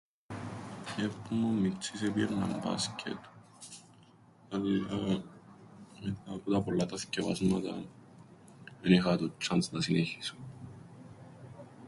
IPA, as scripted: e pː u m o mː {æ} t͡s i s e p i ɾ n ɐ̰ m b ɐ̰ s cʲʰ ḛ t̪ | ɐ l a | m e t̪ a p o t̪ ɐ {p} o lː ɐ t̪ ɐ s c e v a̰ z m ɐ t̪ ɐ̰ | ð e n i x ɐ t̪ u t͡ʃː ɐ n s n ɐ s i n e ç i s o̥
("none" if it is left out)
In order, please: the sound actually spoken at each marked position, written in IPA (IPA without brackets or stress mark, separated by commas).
i, p